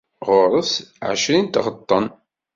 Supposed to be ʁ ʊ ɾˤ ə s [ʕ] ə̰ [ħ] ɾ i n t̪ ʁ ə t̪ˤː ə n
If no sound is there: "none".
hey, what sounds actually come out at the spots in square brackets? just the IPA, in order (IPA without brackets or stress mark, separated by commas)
ʕ, ʃ